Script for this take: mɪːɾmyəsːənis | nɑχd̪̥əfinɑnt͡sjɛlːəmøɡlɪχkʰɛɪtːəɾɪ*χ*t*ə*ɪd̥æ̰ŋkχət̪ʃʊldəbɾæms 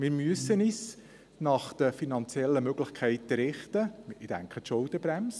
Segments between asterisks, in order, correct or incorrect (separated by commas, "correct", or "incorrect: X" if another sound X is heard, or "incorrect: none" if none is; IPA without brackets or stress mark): correct, correct